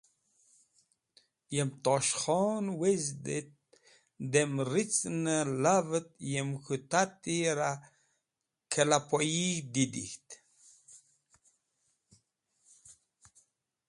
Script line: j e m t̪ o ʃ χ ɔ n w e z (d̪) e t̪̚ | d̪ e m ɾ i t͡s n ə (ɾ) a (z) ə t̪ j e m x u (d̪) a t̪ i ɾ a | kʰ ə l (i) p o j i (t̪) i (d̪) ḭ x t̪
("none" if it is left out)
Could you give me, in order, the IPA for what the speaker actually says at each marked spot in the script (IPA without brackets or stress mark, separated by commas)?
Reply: d̪, l, v, t̪, a, d̪, d̪